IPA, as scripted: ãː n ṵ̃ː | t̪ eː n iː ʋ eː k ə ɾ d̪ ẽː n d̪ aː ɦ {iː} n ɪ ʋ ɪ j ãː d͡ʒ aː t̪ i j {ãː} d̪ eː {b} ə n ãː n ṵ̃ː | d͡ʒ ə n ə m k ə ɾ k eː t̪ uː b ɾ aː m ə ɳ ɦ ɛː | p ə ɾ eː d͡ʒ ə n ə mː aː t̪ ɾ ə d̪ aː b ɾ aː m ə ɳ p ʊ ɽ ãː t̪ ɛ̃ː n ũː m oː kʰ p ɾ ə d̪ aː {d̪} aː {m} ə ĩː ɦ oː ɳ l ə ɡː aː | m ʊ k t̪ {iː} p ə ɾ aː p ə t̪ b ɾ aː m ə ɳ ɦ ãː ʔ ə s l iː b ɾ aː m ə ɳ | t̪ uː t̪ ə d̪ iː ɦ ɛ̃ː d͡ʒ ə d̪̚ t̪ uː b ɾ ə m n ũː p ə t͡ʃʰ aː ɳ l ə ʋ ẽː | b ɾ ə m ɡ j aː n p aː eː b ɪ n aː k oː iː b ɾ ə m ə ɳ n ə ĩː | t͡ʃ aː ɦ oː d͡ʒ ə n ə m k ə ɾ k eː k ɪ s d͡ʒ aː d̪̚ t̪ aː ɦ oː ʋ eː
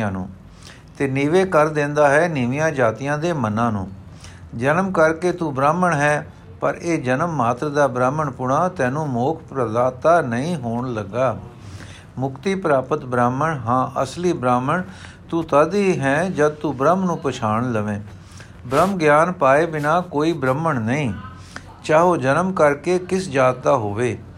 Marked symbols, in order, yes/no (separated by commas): no, yes, no, no, no, yes